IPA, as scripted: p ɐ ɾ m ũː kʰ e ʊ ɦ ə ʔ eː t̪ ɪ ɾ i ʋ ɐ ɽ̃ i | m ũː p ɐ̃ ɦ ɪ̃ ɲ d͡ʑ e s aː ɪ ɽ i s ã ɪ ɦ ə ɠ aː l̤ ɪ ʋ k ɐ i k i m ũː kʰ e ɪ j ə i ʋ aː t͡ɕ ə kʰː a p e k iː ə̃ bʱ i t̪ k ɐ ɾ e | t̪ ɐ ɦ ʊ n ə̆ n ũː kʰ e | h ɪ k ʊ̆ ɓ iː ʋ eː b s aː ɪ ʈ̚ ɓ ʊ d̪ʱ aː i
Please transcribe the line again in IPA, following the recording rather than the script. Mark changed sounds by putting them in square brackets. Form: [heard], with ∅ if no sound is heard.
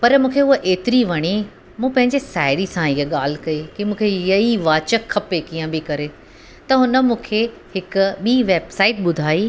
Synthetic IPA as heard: p ɐ ɾ m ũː kʰ e ʊ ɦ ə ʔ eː t̪ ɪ ɾ i ʋ ɐ ɽ̃ i | m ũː p ɐ̃ ɦ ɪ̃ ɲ d͡ʑ e s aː ɪ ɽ i s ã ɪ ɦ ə ɠ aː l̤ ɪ [∅] k ɐ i k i m ũː kʰ e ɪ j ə i ʋ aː t͡ɕ ə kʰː [ɐ] p e k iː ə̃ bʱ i [∅] k ɐ ɾ e | t̪ ɐ ɦ ʊ n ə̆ [m] ũː kʰ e | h ɪ k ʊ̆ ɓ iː ʋ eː b s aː ɪ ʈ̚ ɓ ʊ d̪ʱ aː i

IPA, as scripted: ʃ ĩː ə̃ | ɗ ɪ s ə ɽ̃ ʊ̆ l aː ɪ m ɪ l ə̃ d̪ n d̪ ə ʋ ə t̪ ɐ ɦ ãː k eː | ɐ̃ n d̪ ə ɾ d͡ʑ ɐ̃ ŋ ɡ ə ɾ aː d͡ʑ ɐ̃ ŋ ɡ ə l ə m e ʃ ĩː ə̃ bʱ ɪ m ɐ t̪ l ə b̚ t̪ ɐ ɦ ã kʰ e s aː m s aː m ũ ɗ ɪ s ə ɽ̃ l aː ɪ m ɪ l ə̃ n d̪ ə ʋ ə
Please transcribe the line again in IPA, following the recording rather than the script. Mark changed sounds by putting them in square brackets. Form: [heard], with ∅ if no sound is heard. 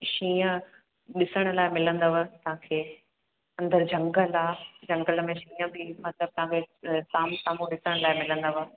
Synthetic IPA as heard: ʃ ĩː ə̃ | ɗ ɪ s ə ɽ̃ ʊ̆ l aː ɪ m ɪ l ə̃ [∅] n d̪ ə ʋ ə t̪ ɐ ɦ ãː [kʰ] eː | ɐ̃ n d̪ ə ɾ d͡ʑ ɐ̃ ŋ ɡ ə [l] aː d͡ʑ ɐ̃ ŋ ɡ ə l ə m [ẽ] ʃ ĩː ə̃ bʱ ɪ m ɐ t̪ l ə b̚ t̪ ɐ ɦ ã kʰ e s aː m s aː m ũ ɗ ɪ s ə ɽ̃ l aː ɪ m ɪ l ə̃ n d̪ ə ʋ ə

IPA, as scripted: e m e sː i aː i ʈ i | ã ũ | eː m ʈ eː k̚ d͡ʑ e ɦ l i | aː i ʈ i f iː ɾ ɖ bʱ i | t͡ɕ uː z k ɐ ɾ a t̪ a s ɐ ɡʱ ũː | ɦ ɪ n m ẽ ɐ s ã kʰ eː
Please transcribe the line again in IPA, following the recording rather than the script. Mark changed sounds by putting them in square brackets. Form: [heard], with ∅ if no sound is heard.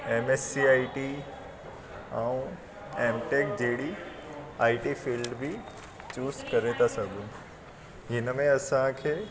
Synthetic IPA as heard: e m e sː i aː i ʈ i | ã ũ | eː m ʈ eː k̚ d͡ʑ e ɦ [ɽ] i | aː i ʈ i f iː [l] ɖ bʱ i | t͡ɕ uː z k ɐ ɾ [e] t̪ a s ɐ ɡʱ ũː | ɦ ɪ n m ẽ ɐ s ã kʰ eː

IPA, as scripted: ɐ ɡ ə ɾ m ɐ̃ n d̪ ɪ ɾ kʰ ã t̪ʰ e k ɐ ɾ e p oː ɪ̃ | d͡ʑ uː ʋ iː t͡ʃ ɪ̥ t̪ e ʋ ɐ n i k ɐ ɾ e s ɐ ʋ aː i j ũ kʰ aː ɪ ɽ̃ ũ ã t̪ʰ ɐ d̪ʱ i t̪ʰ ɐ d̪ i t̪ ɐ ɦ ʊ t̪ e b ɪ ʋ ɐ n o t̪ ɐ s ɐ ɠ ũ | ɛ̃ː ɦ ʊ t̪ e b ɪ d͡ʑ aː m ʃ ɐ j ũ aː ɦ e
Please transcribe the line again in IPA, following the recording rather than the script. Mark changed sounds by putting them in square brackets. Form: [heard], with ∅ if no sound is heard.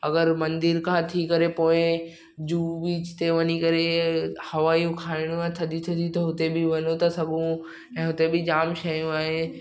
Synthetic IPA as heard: ɐ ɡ ə ɾ m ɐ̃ n d̪ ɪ ɾ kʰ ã t̪ʰ [i] k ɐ ɾ e p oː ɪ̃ | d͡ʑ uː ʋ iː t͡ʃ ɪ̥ t̪ e ʋ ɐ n i k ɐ ɾ e [h] ɐ ʋ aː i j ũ kʰ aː ɪ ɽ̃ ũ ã t̪ʰ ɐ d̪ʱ i t̪ʰ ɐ d̪ i t̪ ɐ ɦ ʊ t̪ e b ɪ ʋ ɐ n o t̪ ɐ s ɐ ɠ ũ | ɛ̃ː ɦ ʊ t̪ e b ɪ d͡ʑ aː m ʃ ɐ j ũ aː ɦ e

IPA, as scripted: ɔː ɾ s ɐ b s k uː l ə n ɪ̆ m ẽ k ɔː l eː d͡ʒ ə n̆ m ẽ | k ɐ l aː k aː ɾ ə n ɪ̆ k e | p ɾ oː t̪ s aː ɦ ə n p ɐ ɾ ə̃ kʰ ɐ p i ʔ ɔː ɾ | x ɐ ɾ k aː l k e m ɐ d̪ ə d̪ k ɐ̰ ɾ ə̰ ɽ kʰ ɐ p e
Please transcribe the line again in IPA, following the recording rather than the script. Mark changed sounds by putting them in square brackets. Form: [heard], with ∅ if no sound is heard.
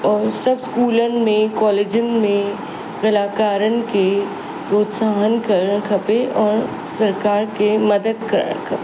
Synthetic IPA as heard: ɔː ɾ s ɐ b s k uː l ə n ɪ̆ m ẽ k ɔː l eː d͡ʒ ə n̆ m ẽ | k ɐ l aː k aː ɾ ə n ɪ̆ k e | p ɾ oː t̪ s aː ɦ ə n [k] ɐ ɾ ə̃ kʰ ɐ p [e] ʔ ɔː ɾ | [s] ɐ ɾ k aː [ɾ] k e m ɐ d̪ ə d̪ k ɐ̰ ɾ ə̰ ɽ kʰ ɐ p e

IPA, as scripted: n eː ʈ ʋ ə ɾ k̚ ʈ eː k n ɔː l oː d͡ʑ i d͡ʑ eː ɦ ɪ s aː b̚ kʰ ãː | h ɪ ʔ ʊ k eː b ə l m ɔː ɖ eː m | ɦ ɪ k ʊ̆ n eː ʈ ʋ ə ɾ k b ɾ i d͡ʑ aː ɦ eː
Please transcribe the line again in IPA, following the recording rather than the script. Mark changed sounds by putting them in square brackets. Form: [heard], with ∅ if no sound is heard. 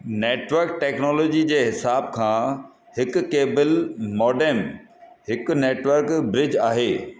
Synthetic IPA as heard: n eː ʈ ʋ ə ɾ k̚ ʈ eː k n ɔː l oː d͡ʑ i d͡ʑ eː ɦ ɪ s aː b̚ kʰ ãː | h ɪ [k] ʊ k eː b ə l m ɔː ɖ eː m | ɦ ɪ k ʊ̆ n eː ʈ ʋ ə ɾ k b ɾ [ɪ] d͡ʑ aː ɦ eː

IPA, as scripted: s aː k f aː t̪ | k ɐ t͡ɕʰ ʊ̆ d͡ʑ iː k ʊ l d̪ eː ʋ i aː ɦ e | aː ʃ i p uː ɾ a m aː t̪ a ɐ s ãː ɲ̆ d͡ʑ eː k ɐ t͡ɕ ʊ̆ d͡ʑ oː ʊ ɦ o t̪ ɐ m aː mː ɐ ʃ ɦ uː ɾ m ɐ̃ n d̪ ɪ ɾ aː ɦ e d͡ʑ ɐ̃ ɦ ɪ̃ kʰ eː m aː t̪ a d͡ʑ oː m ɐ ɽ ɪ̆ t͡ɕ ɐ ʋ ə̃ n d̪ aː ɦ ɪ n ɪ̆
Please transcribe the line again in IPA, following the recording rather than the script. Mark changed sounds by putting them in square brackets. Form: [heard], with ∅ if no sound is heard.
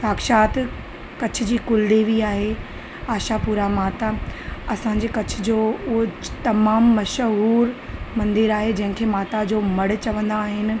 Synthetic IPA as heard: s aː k [ʃ] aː t̪ | k ɐ t͡ɕʰ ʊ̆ d͡ʑ iː k ʊ l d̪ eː ʋ i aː ɦ e | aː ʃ [a] p uː ɾ a m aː t̪ a ɐ s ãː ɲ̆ d͡ʑ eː k ɐ [t͡ɕʰ] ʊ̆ d͡ʑ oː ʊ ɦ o t̪ ɐ m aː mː ɐ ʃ ɦ uː ɾ m ɐ̃ n d̪ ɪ ɾ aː ɦ e d͡ʑ ɐ̃ ɦ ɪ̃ kʰ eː m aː t̪ a d͡ʑ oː m ɐ ɽ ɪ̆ t͡ɕ ɐ ʋ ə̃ n d̪ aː ɦ ɪ n ɪ̆

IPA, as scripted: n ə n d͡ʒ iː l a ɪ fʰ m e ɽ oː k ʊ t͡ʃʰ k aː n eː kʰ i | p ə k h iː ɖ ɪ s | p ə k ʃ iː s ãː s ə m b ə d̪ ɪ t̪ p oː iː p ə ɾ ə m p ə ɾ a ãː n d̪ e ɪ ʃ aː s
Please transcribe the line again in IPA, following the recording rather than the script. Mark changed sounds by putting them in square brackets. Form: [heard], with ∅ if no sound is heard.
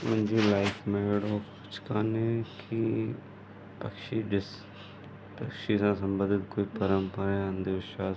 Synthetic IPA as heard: [m] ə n d͡ʒ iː l a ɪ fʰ m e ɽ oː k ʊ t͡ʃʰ k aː n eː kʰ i | p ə k [ʃ] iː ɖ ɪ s | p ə k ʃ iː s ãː s ə m b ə d̪ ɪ t̪ [k] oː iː p ə ɾ ə m p ə ɾ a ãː n d̪ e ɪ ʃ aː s

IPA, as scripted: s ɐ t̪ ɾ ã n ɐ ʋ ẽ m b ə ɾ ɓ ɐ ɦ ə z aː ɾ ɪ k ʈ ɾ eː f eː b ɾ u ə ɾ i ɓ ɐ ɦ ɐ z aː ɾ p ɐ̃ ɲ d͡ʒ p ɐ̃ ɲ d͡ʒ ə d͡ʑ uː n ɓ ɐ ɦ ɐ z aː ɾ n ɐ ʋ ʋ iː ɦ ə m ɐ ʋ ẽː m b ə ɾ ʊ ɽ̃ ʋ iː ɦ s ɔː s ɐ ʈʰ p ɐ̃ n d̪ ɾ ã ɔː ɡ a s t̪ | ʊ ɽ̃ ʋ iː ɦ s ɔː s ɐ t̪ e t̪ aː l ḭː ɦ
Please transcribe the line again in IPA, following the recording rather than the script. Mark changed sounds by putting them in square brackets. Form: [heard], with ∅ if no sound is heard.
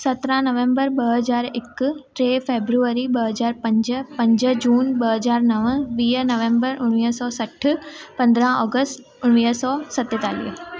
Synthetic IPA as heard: s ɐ t̪ ɾ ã n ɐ ʋ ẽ m b ə ɾ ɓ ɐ ɦ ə z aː ɾ ɪ k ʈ ɾ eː f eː b ɾ u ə ɾ i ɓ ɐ ɦ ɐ z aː ɾ p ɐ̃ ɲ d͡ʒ p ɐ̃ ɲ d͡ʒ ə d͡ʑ uː n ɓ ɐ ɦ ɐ z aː ɾ n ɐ ʋ ʋ iː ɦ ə [n] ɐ ʋ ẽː m b ə ɾ ʊ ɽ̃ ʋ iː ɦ s ɔː s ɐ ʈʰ p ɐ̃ n d̪ ɾ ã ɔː ɡ [ə] s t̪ | ʊ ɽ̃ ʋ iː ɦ s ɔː s ɐ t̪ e t̪ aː l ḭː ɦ

